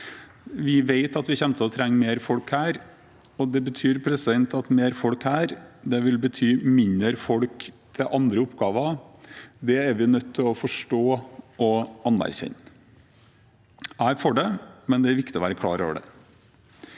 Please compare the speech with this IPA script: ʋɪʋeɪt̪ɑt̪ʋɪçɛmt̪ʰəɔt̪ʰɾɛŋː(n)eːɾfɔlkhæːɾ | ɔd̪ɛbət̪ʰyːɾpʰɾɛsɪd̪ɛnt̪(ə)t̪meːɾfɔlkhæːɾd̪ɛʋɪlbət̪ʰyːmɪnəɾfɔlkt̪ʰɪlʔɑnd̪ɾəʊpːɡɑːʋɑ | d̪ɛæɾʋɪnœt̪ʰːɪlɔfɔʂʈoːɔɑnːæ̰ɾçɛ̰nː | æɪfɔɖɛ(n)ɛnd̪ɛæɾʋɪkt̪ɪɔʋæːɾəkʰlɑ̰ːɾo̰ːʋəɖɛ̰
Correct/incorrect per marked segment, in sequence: incorrect, incorrect, incorrect

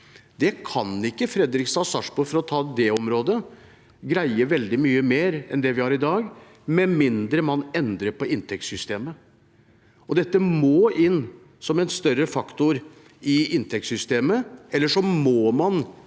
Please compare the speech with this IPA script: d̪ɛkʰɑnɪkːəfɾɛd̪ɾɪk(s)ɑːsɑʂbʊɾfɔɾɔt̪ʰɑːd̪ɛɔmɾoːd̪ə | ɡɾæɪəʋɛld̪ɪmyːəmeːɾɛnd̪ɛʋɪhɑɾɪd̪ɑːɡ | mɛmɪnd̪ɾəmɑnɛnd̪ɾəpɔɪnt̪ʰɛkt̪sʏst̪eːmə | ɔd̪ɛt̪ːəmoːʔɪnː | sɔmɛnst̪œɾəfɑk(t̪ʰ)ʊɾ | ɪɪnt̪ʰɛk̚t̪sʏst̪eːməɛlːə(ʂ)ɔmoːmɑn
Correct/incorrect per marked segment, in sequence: correct, incorrect, correct

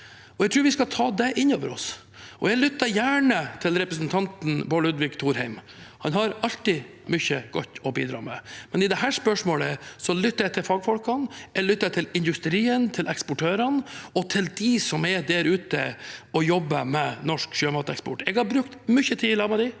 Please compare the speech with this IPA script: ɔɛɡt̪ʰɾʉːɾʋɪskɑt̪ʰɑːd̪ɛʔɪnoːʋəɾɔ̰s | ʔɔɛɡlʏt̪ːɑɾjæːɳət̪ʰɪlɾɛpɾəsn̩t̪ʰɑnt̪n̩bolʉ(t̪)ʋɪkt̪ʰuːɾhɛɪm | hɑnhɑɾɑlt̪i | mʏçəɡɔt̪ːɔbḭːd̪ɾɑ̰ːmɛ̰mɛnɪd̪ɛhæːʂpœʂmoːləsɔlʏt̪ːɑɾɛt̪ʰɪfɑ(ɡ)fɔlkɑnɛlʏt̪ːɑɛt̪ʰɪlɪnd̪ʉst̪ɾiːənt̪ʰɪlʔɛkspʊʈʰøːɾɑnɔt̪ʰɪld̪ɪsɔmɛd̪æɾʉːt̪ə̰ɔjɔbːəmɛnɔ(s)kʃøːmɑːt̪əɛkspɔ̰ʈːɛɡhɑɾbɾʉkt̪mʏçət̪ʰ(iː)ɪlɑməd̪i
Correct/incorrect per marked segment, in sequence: incorrect, correct, incorrect, correct

